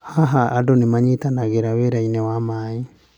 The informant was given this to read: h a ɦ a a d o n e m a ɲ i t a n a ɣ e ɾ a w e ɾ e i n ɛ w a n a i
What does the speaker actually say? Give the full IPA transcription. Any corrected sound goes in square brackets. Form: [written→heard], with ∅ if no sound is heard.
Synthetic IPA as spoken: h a ɦ a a d o n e m a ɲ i t a n a ɣ e ɾ a w e ɾ [e→a] i n ɛ w a [n→m] a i